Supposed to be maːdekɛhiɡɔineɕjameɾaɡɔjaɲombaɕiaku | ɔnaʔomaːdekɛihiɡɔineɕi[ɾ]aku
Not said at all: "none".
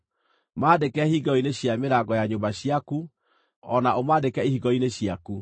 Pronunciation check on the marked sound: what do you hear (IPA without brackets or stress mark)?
none